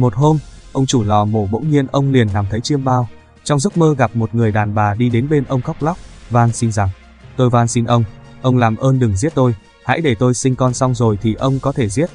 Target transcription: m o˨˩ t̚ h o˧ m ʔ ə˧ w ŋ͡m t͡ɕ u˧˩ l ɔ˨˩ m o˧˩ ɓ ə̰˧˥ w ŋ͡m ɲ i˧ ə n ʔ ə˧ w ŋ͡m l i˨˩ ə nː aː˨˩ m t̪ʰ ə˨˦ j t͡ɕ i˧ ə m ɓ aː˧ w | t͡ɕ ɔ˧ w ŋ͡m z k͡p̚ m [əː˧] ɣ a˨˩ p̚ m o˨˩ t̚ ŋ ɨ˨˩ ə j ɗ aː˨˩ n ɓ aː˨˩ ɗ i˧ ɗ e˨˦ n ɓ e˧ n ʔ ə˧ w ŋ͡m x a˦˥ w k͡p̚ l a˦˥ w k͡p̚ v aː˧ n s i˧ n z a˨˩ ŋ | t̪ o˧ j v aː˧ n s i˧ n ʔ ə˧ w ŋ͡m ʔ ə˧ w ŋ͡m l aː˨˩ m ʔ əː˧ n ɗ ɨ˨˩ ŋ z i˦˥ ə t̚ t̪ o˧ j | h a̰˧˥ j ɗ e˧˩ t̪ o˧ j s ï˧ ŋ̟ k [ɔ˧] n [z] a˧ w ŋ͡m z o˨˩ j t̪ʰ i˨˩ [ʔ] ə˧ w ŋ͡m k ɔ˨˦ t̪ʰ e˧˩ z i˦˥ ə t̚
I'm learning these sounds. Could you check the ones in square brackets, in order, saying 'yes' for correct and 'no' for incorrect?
yes, yes, no, yes

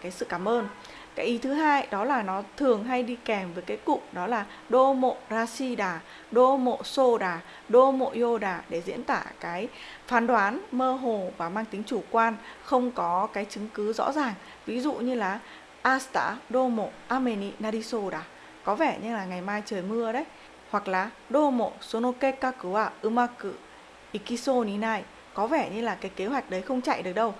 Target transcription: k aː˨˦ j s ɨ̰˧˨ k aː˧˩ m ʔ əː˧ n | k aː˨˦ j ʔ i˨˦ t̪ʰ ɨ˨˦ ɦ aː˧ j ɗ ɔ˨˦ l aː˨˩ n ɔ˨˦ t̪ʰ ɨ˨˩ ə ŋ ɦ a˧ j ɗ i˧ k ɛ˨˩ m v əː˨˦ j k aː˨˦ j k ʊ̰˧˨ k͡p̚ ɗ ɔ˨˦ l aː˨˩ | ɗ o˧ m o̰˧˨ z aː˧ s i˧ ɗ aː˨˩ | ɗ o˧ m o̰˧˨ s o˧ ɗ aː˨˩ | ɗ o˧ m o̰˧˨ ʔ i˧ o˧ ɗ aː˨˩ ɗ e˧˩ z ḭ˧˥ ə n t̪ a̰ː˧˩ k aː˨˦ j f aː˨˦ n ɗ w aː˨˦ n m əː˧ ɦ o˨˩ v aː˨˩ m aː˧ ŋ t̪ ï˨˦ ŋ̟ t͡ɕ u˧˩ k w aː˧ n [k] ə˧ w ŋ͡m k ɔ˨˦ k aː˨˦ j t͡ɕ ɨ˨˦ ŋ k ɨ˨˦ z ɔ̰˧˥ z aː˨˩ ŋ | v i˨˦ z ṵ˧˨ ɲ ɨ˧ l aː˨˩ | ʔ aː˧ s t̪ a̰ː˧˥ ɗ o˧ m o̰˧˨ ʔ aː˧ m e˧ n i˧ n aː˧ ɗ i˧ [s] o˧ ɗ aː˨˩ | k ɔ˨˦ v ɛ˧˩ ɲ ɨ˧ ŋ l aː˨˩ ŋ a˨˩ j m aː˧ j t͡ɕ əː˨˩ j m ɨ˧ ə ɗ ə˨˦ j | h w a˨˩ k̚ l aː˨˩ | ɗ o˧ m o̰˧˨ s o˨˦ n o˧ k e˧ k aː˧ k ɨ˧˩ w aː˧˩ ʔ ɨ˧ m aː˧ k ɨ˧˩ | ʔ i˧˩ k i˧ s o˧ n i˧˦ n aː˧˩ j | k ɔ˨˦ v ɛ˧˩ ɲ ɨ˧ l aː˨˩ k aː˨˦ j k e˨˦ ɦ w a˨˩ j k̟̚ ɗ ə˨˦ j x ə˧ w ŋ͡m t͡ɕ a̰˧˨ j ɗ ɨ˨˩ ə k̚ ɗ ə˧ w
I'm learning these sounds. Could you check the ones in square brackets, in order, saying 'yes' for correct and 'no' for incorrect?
no, yes

